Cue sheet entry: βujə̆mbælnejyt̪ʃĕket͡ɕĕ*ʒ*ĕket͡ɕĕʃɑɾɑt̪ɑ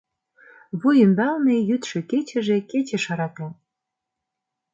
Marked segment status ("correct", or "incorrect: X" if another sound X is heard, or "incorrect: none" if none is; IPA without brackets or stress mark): correct